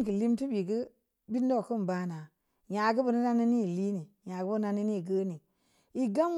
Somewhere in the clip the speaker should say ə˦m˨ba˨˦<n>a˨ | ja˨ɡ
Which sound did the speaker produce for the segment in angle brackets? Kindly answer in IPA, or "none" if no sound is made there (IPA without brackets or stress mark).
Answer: n